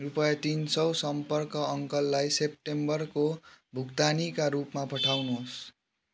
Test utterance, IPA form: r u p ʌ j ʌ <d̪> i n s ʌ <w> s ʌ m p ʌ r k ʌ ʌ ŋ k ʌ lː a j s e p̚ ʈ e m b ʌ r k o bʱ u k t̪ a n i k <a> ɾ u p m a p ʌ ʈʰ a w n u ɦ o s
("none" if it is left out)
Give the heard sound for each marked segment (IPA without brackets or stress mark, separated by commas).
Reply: t̪, w, a